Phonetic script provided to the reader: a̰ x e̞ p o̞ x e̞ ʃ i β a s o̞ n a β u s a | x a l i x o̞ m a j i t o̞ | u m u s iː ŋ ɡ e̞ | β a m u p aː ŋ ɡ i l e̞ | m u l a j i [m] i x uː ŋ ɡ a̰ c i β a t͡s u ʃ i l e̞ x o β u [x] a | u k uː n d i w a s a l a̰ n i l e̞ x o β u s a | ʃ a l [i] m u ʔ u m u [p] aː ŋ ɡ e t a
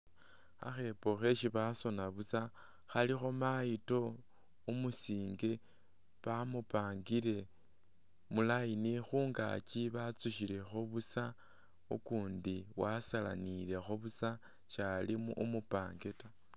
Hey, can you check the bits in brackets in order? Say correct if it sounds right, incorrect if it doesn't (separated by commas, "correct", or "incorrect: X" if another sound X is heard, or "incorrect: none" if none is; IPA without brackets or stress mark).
incorrect: n, incorrect: s, correct, correct